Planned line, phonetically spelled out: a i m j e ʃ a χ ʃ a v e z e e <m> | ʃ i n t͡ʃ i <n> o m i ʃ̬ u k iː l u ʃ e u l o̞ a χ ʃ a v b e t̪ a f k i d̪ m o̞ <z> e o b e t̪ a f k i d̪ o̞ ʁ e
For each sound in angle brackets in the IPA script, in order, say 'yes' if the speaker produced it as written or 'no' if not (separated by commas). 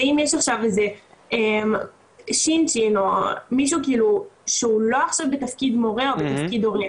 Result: yes, yes, no